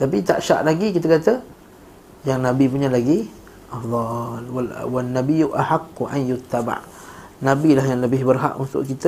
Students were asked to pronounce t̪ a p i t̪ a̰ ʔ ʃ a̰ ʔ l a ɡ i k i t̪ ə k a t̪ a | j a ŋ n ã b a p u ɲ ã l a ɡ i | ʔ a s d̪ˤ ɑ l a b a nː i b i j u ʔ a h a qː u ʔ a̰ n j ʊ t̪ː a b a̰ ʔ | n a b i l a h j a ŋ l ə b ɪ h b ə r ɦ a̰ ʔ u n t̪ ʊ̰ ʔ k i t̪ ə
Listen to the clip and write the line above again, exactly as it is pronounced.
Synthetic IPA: t̪ a p i t̪ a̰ ʔ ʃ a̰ ʔ l a ɡ i k i t̪ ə k a t̪ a | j a ŋ n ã b i p u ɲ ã l a ɡ i | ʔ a f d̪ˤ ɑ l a w a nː a b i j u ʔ a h a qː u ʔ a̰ n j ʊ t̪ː a b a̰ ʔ | n a b i l a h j a ŋ l ə b ɪ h b ə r ɦ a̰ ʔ u n t̪ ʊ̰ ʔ k i t̪ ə